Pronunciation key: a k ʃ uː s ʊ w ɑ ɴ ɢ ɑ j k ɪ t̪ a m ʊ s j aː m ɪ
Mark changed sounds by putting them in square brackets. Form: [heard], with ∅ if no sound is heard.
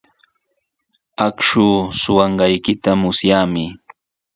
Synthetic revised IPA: a k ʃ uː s ʊ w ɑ ɴ ɢ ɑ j k ɪ t̪ a m ʊ s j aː m ɪ

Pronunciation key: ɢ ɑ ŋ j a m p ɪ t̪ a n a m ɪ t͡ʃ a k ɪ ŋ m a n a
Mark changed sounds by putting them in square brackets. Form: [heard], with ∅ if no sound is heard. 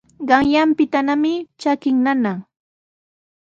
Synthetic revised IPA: ɢ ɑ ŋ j a m p ɪ t̪ a n a m ɪ t͡ʃ a k ɪ ŋ [n] a n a

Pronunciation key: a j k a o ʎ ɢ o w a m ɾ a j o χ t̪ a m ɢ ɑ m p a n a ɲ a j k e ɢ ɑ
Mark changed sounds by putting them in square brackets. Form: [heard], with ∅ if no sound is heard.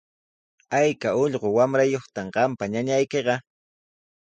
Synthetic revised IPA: a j k a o ʎ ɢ o w a m ɾ a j o χ t̪ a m ɢ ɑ m p a [ɲ] a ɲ a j k e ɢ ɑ

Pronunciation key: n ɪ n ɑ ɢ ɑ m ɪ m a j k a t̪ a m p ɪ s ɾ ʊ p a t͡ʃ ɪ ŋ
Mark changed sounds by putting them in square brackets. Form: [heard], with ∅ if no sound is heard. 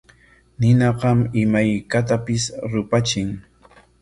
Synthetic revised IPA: n ɪ n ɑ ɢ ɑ m ɪ m a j k a t̪ a [∅] p ɪ s ɾ ʊ p a t͡ʃ ɪ ŋ

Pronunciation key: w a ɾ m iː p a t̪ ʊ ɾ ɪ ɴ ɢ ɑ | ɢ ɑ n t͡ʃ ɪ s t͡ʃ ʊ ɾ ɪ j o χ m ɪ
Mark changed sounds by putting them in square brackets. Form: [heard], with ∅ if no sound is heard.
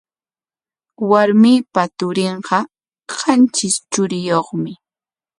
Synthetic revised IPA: w a ɾ m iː p a t̪ ʊ ɾ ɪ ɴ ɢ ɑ | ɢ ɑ n t͡ʃ ɪ s t͡ʃ ʊ ɾ ɪ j o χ m ɪ

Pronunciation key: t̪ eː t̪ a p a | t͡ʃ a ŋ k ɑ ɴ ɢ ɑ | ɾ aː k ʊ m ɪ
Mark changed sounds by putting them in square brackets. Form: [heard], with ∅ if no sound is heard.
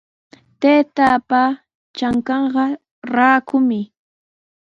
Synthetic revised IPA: t̪ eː t̪ a p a | t͡ʃ a ŋ k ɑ ɴ ɢ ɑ | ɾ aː k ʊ m ɪ

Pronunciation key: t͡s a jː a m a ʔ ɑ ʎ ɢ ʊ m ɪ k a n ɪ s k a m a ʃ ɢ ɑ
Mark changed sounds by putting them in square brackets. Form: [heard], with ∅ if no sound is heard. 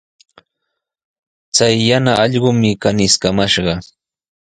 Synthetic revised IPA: t͡s a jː a [n] a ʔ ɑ ʎ ɢ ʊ m ɪ k a n ɪ s k a m a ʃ ɢ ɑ

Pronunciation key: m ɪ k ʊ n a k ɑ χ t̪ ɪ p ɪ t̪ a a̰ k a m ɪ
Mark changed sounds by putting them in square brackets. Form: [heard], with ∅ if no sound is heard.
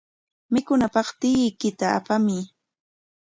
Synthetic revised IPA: m ɪ k ʊ n a [p] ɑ χ t̪ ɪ [k] ɪ t̪ a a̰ [p] a m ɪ

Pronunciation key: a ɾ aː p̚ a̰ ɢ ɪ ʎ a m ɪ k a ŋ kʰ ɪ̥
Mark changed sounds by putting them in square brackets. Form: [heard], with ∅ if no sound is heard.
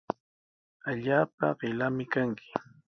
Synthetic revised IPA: a [ʎ] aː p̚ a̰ ɢ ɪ [l] a m ɪ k a ŋ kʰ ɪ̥

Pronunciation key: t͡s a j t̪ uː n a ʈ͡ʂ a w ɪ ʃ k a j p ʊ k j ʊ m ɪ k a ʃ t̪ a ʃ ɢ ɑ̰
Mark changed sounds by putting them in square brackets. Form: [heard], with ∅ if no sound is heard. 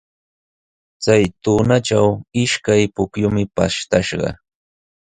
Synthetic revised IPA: t͡s a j t̪ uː n a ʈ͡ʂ a w ɪ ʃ k a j p ʊ k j ʊ m ɪ [p] a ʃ t̪ a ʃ ɢ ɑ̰

